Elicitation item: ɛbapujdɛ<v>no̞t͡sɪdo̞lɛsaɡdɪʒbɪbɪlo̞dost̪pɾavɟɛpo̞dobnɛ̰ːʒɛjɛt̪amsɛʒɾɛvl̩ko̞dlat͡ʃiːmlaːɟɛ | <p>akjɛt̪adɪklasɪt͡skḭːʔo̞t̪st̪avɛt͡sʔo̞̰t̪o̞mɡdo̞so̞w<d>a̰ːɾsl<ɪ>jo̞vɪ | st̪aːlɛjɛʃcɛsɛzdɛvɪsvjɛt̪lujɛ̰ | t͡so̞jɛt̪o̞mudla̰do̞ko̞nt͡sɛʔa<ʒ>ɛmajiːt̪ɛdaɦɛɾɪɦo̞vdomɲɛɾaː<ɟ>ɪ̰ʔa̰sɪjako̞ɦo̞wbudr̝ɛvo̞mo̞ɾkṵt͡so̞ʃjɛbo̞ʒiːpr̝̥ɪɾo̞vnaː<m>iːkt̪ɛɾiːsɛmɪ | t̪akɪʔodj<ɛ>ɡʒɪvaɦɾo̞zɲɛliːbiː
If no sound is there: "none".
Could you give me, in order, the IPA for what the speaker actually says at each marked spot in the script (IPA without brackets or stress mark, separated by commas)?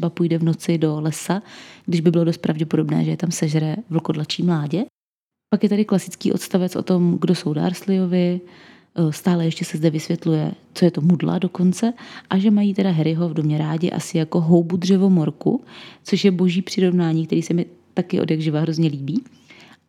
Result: v, p, d, ɪ, ʒ, ɟ, ɲ, a